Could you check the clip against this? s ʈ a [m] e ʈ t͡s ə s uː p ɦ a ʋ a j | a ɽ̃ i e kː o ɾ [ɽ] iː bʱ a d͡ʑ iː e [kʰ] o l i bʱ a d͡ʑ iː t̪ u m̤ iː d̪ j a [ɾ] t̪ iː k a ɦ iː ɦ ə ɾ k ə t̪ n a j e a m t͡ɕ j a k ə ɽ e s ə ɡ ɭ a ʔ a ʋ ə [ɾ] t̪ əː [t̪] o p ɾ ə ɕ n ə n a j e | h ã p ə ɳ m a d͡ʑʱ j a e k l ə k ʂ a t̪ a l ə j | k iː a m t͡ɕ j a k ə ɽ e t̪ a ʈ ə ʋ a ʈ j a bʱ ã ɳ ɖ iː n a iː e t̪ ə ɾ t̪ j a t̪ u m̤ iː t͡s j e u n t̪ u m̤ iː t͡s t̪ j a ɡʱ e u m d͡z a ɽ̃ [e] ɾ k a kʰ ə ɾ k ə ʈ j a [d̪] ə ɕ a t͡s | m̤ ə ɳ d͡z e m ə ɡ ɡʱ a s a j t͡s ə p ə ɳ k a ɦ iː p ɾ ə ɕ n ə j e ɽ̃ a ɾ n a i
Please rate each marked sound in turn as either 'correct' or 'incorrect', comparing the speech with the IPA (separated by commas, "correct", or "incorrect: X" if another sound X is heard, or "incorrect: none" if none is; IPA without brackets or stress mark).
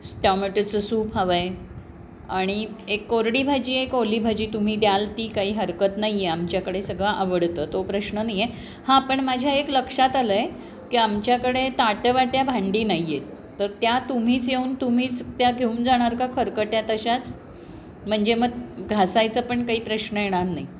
correct, correct, incorrect: k, incorrect: l, incorrect: ɽ, correct, incorrect: a, incorrect: t̪